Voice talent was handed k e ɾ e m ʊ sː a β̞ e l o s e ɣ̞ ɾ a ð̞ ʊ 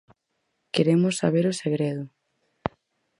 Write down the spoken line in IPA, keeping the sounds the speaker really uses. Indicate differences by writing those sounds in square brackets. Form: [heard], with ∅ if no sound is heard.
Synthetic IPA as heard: k e ɾ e m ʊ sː a β̞ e [ɾ] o s e ɣ̞ ɾ [e] ð̞ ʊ